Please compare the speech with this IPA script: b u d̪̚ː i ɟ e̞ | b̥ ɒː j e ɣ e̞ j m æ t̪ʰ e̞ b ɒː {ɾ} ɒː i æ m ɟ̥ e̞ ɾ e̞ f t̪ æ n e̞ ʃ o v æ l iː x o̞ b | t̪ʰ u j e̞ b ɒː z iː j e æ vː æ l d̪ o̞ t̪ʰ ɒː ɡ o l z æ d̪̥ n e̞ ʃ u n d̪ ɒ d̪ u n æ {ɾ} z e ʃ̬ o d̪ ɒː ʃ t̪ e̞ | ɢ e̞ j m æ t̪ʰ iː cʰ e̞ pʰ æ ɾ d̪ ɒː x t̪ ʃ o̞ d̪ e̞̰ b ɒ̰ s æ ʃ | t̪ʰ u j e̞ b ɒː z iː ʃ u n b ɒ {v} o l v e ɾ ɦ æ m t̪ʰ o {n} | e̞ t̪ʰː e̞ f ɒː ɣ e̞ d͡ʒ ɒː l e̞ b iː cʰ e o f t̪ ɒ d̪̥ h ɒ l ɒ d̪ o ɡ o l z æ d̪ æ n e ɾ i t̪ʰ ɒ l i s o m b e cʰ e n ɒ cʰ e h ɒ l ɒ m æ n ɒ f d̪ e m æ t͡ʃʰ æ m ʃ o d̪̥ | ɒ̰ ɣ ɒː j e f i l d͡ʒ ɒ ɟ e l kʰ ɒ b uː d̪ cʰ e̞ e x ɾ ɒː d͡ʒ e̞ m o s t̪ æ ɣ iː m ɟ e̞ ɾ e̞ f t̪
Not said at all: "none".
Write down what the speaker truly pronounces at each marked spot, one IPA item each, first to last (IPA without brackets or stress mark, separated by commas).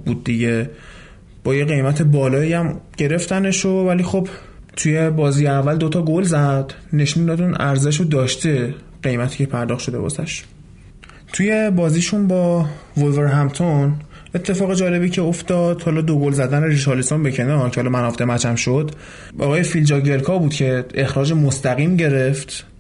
l, ɾ, v, n